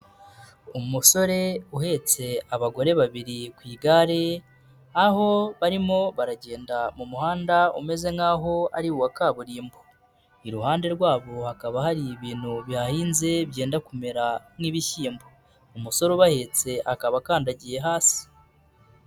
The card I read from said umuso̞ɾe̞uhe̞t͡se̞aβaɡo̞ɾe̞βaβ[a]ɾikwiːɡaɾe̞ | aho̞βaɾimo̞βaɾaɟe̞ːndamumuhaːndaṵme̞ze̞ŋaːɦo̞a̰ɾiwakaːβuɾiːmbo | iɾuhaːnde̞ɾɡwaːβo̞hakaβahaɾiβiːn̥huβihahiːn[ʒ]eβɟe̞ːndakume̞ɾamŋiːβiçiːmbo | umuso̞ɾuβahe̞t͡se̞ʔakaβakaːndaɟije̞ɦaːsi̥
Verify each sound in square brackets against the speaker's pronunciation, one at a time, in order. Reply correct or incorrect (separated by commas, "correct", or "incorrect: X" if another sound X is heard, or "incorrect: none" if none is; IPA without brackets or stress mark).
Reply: incorrect: i, incorrect: z